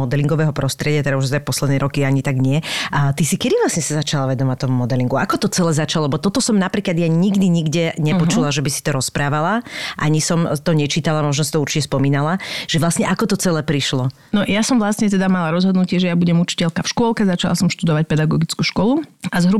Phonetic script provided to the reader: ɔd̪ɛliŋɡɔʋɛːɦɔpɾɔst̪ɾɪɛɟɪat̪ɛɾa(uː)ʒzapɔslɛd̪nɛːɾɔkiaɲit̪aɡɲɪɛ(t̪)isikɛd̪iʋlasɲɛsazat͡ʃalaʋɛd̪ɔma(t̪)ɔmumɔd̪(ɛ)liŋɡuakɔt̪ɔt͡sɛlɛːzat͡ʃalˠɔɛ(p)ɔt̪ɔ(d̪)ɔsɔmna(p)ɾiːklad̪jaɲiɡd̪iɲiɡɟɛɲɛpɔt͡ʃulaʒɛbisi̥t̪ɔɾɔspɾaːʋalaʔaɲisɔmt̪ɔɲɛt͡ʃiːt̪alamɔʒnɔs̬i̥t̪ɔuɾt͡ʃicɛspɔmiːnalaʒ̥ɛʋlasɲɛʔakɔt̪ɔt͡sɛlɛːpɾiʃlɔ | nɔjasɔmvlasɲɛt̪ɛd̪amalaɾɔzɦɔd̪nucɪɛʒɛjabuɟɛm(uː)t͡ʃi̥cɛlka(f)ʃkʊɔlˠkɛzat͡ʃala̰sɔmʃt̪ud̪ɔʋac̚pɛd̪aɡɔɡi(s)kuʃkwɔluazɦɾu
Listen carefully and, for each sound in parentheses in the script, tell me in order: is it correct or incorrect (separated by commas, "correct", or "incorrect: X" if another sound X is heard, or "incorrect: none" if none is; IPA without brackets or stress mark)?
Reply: incorrect: u, correct, correct, correct, incorrect: b, incorrect: t̪, correct, incorrect: u, correct, incorrect: t͡s